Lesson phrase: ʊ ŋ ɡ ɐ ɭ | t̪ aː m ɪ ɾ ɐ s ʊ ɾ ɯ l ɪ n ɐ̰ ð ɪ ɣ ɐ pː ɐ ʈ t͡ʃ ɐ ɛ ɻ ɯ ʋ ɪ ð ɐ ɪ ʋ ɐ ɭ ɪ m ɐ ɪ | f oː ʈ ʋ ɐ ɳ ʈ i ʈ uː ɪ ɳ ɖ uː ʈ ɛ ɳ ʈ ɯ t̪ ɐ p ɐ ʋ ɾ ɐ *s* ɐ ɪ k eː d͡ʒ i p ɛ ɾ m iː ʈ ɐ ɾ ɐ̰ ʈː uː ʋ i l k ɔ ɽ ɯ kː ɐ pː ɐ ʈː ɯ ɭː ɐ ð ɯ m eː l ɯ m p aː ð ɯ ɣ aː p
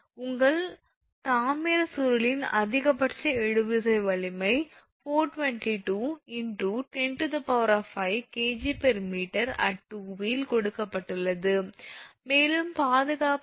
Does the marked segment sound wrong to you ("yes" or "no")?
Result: yes